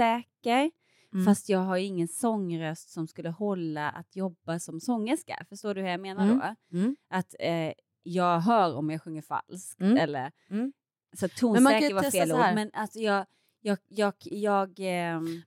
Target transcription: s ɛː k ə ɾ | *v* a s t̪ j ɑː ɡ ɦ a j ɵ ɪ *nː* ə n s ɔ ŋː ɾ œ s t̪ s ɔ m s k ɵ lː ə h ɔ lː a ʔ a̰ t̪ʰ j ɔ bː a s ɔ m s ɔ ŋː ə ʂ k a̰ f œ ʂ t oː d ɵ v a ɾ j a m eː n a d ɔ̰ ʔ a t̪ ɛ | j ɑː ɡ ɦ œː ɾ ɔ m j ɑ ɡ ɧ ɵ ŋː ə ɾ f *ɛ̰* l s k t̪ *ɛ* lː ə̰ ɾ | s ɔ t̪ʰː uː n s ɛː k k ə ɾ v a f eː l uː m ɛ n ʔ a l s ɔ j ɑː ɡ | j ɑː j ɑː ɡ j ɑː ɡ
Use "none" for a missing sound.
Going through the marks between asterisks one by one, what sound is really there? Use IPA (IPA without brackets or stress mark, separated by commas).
f, ŋː, a̰, ɛ